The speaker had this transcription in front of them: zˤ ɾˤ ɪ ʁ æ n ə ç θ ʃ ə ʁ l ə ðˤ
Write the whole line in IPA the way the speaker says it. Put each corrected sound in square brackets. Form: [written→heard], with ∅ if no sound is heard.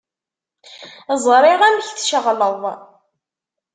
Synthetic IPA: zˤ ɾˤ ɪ ʁ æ [n→m] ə ç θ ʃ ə ʁ l ə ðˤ